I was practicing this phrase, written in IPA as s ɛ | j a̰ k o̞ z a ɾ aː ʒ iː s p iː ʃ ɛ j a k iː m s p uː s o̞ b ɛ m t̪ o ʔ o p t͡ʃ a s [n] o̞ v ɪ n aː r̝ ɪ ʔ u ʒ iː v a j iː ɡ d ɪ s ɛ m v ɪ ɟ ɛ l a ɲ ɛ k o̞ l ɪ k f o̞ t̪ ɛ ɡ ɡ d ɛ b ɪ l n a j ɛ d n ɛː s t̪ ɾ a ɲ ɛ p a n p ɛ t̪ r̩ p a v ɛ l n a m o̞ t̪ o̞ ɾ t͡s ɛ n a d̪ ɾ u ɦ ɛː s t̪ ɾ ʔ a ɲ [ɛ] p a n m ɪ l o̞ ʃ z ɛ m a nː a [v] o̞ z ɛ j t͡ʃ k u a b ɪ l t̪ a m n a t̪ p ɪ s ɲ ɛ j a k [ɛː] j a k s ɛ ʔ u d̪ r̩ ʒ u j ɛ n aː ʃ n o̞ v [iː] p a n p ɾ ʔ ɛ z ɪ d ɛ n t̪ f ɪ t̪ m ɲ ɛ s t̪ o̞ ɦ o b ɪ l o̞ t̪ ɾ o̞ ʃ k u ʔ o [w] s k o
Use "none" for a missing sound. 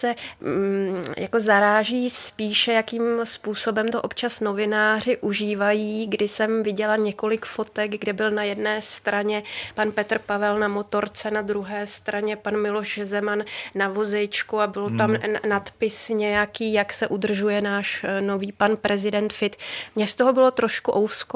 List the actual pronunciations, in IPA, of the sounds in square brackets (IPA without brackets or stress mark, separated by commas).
n, ɛ, v, iː, iː, w